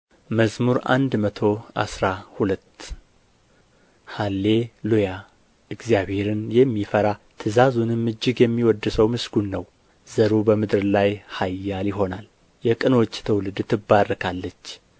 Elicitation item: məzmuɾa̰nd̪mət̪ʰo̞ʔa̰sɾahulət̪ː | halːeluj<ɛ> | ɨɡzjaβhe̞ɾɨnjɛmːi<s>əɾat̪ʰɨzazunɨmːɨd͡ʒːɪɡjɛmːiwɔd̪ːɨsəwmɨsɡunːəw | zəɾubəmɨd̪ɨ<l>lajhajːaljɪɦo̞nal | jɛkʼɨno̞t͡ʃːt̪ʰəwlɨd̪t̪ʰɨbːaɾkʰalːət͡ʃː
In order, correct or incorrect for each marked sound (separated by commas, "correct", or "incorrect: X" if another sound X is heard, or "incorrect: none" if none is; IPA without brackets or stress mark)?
incorrect: a, incorrect: f, incorrect: ɾ